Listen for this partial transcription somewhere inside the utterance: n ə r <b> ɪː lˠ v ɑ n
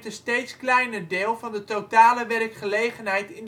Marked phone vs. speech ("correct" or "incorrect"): incorrect